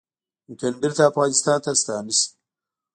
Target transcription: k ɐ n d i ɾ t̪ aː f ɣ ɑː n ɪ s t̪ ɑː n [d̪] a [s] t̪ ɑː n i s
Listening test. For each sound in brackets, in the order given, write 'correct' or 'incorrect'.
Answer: incorrect: t̪, correct

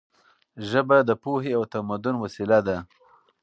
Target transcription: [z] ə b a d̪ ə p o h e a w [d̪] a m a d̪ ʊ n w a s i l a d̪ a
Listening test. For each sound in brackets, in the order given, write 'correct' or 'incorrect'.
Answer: incorrect: ʒ, incorrect: t̪

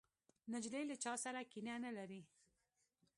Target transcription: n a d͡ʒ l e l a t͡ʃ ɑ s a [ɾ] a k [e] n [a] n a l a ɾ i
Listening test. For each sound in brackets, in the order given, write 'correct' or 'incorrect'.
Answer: correct, incorrect: i, correct

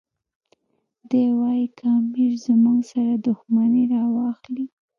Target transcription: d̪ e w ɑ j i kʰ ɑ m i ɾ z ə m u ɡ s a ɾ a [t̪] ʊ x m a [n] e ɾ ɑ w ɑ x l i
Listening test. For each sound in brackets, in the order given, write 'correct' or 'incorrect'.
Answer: incorrect: d̪, correct

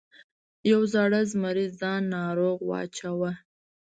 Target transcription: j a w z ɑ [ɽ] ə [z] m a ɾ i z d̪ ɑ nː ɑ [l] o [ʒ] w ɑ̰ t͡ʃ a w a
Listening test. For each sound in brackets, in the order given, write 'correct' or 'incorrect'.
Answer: correct, correct, incorrect: ɾ, incorrect: ɣ

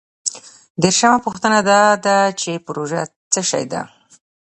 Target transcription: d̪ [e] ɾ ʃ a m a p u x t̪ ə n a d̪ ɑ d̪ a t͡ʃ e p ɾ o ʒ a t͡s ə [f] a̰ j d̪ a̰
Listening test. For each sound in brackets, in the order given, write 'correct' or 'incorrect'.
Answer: correct, incorrect: ʃ

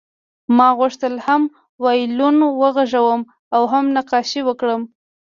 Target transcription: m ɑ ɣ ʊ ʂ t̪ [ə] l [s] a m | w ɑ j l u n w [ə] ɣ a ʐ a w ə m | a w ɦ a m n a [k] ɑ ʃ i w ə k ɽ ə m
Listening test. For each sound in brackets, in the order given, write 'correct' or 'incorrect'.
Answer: correct, incorrect: h, correct, incorrect: q

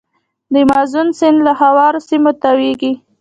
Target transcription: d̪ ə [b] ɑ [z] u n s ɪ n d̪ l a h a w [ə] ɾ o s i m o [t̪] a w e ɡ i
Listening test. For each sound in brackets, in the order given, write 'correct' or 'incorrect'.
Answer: incorrect: m, correct, incorrect: ɑ, correct

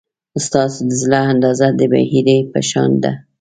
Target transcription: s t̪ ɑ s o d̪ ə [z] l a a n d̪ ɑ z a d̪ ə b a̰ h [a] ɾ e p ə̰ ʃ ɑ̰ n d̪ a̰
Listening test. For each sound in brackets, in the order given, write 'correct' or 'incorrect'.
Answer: correct, incorrect: i

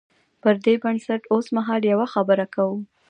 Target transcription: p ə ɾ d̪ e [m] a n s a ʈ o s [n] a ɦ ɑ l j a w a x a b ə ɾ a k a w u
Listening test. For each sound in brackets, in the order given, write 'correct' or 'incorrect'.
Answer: incorrect: b, incorrect: m

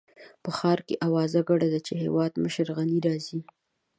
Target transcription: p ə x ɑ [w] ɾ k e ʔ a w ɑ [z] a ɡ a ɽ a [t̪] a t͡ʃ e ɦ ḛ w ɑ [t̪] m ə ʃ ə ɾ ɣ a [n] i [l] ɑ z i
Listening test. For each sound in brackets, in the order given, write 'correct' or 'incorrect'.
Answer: incorrect: none, correct, incorrect: d̪, incorrect: d̪, correct, incorrect: ɾ

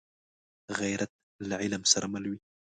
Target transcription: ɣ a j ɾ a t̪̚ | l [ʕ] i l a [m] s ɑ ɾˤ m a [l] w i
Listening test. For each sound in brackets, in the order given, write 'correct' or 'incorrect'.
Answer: correct, correct, correct

